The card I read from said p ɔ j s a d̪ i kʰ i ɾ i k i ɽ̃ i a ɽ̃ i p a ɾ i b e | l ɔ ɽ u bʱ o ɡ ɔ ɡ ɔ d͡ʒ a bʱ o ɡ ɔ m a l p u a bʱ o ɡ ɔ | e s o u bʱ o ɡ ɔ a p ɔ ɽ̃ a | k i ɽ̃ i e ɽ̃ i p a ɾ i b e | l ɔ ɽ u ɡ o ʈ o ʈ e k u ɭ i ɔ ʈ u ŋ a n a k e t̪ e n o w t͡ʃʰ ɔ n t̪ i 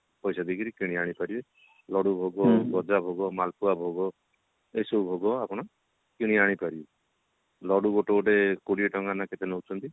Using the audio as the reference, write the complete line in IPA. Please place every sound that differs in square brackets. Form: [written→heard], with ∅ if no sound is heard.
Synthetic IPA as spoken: p ɔ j s a d̪ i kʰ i ɾ i k i ɽ̃ i a ɽ̃ i p a ɾ i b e | l ɔ ɽ u bʱ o ɡ ɔ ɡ ɔ d͡ʒ a bʱ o ɡ ɔ m a l p u a bʱ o ɡ ɔ | e s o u bʱ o ɡ ɔ a p ɔ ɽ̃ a | k i ɽ̃ i [e→a] ɽ̃ i p a ɾ i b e | l ɔ ɽ u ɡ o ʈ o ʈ e k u [ɭ→ɽ] i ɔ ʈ [u→ɔ] ŋ a n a k e t̪ e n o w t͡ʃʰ ɔ n t̪ i